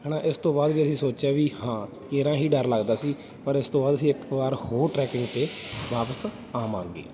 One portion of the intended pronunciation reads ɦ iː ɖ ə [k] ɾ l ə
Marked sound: incorrect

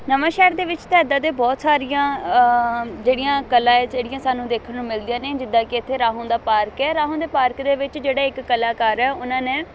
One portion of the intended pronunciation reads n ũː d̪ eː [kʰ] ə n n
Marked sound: correct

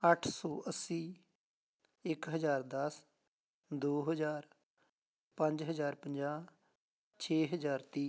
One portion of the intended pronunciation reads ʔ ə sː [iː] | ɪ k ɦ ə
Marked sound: correct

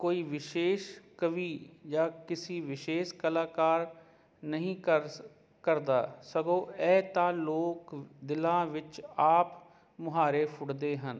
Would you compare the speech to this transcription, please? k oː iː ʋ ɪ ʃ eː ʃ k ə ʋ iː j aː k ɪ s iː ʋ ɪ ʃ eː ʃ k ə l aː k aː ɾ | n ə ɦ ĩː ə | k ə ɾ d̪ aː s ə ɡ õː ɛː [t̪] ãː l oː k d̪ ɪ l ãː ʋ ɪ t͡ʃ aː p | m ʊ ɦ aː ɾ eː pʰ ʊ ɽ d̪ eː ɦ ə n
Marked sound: correct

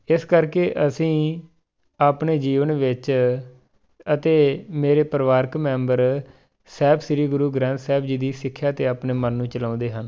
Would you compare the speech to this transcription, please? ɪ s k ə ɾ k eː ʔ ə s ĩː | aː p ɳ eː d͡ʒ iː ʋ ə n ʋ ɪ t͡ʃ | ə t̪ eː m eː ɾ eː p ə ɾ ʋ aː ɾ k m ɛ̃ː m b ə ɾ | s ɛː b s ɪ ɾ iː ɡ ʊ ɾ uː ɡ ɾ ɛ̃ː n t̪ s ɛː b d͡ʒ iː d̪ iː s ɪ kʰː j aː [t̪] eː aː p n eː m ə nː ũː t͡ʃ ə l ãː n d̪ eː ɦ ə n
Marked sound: correct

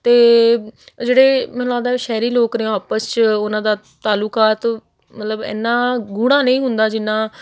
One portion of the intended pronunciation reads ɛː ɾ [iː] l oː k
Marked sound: correct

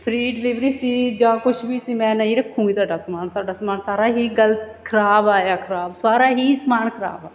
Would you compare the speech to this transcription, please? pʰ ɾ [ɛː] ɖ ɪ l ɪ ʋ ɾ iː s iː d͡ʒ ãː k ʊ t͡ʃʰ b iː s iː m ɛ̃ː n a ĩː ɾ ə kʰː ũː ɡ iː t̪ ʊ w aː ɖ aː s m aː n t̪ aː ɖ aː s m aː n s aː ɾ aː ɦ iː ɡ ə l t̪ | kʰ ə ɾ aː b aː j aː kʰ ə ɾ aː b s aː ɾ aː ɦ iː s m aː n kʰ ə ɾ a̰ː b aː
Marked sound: incorrect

